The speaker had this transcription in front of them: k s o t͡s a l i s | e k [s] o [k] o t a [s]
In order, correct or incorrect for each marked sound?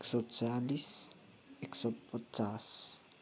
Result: correct, incorrect: p, correct

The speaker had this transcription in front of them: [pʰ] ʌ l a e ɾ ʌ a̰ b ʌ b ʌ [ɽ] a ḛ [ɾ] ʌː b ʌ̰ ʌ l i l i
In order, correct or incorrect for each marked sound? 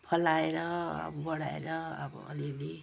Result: correct, correct, correct

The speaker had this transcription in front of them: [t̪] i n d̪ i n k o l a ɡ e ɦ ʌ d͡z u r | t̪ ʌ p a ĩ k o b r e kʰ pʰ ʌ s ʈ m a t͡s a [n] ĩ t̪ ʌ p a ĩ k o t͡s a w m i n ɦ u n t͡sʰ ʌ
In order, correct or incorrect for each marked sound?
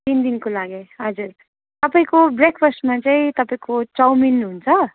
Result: correct, incorrect: none

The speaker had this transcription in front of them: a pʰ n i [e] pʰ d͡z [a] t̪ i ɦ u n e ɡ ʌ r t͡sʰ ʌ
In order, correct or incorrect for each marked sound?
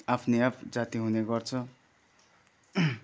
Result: incorrect: a, correct

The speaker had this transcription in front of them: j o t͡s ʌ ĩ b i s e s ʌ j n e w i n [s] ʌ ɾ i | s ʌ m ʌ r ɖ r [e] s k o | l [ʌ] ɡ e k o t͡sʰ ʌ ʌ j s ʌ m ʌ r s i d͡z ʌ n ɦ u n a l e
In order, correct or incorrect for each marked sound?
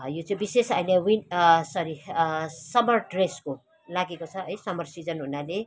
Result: correct, correct, incorrect: a

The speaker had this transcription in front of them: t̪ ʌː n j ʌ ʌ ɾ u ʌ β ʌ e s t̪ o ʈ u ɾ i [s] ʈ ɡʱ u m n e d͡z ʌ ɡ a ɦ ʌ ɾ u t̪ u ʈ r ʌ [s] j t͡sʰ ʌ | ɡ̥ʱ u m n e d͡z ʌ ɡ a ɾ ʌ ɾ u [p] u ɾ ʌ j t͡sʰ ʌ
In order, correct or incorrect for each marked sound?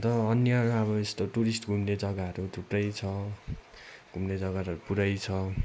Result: correct, incorrect: none, correct

